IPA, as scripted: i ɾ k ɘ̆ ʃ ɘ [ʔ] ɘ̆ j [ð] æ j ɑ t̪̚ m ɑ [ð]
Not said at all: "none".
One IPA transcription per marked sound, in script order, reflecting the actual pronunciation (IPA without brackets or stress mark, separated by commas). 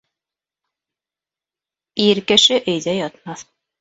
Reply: ʔ, ð, θ